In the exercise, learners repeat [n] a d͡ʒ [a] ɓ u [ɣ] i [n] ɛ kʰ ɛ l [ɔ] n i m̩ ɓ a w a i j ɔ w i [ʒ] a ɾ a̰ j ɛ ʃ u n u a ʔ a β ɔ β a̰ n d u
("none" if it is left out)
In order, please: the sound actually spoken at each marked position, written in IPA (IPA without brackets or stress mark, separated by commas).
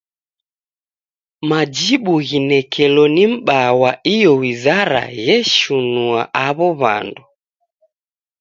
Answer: m, i, ɣ, n, ɔ, z